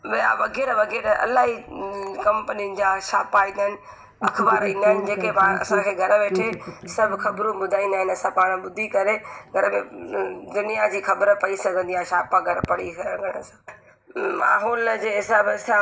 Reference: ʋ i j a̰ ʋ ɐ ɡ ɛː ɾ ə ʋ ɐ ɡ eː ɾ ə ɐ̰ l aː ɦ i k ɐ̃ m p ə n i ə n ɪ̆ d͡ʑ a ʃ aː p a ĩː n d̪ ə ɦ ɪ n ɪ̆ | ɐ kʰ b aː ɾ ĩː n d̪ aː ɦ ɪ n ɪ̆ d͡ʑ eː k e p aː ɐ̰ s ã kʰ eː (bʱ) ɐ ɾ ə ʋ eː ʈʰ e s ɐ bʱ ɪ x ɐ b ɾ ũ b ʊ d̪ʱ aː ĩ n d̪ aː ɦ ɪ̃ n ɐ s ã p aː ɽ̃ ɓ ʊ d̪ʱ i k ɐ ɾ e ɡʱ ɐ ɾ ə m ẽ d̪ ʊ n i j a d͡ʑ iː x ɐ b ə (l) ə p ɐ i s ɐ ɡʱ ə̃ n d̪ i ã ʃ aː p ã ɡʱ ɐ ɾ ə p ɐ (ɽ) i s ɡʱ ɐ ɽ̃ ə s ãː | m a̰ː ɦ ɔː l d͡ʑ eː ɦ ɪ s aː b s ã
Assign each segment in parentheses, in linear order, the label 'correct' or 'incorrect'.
incorrect, incorrect, correct

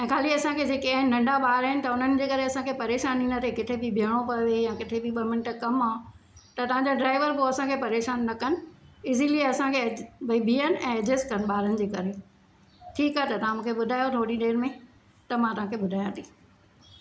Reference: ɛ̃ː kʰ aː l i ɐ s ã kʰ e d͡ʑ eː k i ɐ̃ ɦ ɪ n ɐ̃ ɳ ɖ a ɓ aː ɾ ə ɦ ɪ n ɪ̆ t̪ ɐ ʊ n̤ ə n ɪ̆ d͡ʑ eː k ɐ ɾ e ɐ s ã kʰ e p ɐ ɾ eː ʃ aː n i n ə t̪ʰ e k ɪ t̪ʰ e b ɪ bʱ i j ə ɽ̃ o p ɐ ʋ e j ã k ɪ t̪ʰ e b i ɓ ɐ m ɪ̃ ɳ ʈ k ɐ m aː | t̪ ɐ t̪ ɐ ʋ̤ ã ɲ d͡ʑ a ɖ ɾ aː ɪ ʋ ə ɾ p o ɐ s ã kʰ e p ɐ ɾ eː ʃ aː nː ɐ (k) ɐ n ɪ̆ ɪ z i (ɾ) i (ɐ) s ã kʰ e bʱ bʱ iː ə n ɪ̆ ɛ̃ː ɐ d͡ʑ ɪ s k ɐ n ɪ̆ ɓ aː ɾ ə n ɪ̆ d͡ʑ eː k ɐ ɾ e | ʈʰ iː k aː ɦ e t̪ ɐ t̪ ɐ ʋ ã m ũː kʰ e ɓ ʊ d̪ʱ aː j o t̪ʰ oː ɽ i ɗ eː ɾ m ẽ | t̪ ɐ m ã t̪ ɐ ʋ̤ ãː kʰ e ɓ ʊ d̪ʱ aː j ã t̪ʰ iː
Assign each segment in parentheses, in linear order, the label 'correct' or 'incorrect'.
correct, incorrect, correct

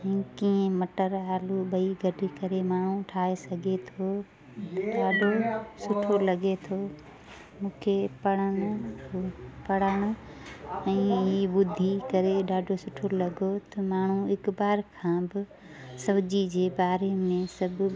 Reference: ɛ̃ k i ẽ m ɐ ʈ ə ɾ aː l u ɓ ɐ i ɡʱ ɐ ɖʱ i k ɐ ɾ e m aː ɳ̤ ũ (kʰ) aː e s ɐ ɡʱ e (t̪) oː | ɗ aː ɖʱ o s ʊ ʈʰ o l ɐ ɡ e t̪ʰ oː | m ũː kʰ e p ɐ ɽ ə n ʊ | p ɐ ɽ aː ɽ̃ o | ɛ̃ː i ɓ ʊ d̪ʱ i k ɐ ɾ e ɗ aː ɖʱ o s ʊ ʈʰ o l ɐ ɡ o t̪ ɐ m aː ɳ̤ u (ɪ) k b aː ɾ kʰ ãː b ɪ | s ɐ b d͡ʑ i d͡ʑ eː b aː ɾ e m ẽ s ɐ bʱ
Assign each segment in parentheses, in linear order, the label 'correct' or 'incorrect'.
incorrect, incorrect, correct

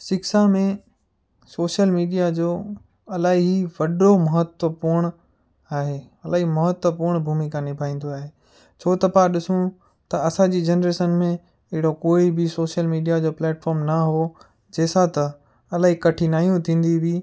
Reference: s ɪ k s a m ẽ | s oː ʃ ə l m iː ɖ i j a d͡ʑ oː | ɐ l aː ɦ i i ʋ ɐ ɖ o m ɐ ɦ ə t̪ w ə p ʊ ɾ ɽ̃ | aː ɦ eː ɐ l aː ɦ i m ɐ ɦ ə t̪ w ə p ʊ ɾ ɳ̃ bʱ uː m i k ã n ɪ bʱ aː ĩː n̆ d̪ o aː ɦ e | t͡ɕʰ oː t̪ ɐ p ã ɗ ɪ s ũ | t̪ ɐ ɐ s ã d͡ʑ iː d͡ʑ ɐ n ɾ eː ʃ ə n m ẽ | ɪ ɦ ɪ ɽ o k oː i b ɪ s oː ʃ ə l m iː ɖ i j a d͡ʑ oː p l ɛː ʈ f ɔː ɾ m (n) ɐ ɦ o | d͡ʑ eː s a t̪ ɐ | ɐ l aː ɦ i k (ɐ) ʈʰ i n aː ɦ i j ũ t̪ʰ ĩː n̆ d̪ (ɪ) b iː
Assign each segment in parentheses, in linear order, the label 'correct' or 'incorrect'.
correct, correct, incorrect

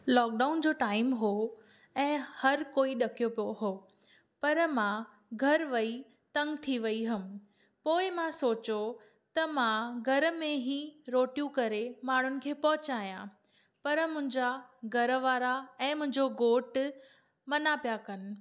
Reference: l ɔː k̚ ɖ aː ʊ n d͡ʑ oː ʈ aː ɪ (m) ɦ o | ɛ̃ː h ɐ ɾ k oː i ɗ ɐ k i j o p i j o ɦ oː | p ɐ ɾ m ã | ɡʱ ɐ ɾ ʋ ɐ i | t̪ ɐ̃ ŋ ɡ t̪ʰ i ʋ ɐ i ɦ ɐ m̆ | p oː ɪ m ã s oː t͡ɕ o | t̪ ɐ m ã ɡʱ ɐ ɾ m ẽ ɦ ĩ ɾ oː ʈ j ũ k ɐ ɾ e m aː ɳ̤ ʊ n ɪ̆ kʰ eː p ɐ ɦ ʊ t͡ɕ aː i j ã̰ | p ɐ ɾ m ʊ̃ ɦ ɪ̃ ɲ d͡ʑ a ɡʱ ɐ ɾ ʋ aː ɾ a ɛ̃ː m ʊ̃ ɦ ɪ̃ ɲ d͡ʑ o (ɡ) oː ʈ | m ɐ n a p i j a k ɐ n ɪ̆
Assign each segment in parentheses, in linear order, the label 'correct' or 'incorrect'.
correct, correct

